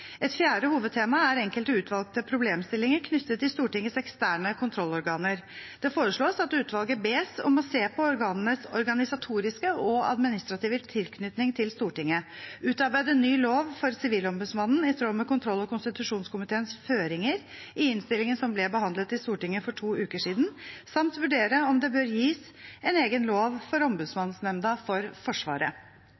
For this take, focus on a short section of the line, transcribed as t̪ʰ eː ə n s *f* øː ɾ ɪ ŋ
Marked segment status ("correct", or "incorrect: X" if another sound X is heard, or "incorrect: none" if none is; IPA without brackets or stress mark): correct